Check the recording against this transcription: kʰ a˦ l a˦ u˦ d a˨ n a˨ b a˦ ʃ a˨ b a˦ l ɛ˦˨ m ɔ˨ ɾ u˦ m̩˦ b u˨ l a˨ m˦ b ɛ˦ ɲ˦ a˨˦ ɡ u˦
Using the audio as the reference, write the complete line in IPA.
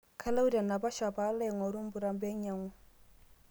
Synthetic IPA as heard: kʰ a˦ l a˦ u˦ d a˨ n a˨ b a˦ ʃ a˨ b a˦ l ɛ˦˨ ŋ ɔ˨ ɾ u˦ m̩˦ b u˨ ɾ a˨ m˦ b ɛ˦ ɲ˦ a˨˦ ŋ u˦